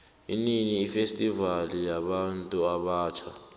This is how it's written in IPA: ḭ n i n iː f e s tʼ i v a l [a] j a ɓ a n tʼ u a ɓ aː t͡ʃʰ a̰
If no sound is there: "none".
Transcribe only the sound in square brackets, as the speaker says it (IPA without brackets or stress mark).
i